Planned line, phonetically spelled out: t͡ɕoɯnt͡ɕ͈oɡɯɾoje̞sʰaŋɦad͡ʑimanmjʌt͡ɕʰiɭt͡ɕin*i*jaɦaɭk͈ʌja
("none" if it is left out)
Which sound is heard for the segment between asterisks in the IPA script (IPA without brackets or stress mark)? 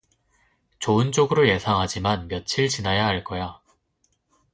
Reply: a